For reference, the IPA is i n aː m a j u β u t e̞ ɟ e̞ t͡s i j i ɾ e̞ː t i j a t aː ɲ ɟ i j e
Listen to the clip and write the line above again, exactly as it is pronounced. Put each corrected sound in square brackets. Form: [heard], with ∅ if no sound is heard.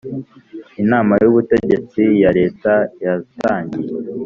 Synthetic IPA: i n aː m a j u β u t e̞ ɟ e̞ t͡s i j [a] ɾ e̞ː t [a] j a t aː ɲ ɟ i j e